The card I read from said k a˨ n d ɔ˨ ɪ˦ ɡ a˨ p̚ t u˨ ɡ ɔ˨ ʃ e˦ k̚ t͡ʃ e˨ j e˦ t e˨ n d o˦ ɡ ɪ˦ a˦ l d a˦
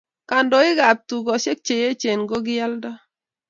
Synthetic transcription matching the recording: k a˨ n d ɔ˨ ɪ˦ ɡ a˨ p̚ t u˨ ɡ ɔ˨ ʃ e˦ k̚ t͡ʃ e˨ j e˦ t͡ʃ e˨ n ɡ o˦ ɡ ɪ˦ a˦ l d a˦